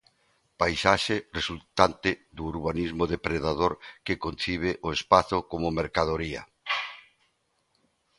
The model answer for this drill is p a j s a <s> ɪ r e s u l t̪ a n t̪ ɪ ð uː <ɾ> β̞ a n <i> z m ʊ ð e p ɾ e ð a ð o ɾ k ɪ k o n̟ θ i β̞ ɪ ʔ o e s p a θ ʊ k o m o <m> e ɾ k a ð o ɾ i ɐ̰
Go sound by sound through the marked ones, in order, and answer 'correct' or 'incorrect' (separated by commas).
incorrect, correct, correct, correct